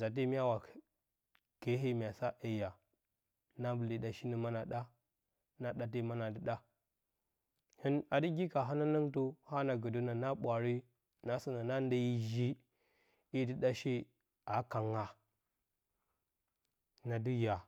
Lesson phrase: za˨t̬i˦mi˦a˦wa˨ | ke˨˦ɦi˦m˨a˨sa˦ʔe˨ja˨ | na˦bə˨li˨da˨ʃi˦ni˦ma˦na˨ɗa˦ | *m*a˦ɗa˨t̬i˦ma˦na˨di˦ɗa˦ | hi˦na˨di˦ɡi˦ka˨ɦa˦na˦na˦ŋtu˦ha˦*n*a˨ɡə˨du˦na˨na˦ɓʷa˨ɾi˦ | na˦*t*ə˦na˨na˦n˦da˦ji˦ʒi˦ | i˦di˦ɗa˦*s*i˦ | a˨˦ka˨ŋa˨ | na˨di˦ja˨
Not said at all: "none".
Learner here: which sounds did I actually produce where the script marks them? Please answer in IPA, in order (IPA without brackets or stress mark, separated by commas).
n, n, s, ʃ